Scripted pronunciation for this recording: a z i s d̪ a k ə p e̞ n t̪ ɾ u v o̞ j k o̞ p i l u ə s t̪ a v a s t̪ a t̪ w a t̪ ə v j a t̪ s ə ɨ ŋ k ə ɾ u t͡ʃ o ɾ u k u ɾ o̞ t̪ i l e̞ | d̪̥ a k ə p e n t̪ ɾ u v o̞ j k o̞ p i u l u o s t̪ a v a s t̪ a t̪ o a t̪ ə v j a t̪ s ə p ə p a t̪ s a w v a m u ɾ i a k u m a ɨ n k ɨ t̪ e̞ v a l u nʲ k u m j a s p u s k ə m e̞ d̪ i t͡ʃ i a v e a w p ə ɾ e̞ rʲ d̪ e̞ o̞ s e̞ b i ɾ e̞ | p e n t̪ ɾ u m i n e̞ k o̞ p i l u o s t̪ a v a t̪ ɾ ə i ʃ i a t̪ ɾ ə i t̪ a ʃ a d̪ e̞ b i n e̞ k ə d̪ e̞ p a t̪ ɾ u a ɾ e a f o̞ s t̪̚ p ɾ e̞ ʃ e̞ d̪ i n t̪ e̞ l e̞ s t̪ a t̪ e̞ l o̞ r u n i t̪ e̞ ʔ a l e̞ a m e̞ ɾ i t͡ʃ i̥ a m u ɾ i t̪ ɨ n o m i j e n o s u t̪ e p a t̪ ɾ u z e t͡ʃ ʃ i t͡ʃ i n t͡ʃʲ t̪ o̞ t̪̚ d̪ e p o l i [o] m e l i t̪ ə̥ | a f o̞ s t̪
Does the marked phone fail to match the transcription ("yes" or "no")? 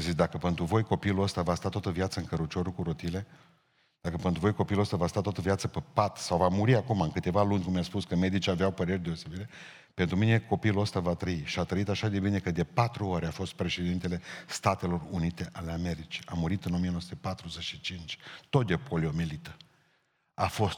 no